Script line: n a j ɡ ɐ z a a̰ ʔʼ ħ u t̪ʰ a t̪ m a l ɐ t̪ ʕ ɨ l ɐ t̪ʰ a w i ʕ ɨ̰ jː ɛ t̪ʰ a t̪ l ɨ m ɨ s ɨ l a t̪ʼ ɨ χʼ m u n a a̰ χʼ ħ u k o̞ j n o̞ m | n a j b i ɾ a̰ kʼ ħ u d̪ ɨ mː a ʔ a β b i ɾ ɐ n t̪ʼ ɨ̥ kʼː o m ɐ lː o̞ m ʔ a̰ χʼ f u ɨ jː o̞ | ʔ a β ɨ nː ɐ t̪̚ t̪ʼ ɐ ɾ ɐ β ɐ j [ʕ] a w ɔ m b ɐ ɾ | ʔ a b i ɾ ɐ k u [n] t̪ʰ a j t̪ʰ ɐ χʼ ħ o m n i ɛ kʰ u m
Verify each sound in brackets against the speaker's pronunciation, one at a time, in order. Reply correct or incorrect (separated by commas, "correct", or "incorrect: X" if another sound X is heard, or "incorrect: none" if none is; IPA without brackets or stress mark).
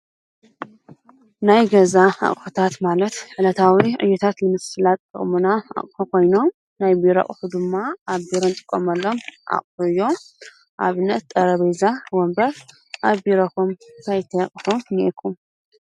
incorrect: z, incorrect: m